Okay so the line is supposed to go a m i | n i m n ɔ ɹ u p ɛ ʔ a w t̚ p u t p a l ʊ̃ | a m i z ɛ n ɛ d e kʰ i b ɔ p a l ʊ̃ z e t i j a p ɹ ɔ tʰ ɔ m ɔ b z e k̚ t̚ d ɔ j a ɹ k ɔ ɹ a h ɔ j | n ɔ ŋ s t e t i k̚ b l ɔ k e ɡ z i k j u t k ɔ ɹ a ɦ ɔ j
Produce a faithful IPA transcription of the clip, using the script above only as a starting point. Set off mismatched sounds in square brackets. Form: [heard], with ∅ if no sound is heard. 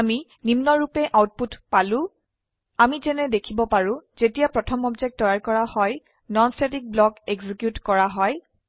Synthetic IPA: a m i | n i m n ɔ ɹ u p ɛ ʔ a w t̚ p u t p a l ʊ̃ | a m i z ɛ n ɛ d e kʰ i b ɔ p a [ɹ] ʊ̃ z e t i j a p ɹ ɔ tʰ ɔ m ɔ b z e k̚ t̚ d ɔ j a ɹ k ɔ ɹ a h ɔ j | n ɔ [n] s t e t i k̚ b l ɔ k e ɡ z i k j u t k ɔ ɹ a ɦ ɔ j